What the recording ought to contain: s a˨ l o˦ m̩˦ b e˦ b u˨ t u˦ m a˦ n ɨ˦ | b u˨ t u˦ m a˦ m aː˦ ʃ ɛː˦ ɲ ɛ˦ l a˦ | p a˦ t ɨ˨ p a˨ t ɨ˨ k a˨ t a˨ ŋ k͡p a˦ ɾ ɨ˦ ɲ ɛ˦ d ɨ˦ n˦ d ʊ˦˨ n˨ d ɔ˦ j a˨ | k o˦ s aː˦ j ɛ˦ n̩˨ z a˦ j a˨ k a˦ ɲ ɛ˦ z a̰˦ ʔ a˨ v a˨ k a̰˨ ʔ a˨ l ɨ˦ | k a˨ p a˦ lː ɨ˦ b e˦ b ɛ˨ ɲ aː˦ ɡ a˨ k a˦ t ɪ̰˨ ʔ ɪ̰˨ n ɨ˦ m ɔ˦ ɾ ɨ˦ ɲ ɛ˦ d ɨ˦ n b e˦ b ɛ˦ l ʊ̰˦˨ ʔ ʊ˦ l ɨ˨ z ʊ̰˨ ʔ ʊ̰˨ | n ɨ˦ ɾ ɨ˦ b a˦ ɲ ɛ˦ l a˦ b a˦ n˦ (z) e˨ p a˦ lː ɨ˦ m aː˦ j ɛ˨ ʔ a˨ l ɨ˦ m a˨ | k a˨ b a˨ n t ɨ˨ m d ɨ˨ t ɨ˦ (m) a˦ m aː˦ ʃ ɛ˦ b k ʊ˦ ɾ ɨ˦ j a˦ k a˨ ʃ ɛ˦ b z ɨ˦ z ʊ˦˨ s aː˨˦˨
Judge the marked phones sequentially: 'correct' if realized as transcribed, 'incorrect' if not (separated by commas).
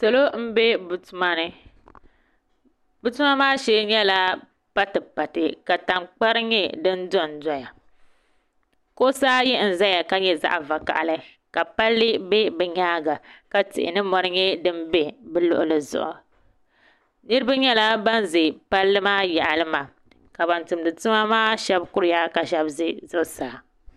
correct, correct